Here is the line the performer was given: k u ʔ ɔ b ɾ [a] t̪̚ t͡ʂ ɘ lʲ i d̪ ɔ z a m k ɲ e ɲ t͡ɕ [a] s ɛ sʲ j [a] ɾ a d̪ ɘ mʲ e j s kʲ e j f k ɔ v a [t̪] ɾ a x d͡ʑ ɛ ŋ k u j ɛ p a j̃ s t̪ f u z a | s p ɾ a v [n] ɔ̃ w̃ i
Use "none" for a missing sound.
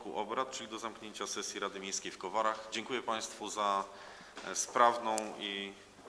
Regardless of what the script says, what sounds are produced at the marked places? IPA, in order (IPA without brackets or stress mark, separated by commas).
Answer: a, a, i, none, n